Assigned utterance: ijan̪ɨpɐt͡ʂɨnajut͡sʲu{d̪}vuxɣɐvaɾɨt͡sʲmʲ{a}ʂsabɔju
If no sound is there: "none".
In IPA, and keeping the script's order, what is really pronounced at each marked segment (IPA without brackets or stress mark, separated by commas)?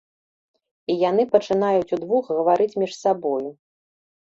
d̪, i